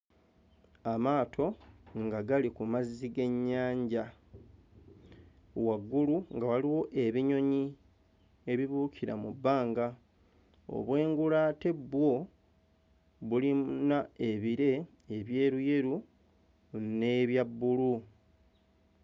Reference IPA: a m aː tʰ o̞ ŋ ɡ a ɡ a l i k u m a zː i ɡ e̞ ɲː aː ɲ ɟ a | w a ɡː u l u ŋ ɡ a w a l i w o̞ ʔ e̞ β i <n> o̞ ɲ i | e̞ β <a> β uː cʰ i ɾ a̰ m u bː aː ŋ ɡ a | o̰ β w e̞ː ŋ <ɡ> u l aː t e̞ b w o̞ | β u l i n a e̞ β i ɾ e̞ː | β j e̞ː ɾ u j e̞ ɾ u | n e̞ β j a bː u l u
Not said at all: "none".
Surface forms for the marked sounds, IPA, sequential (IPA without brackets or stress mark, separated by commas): ɲ, i, ɡ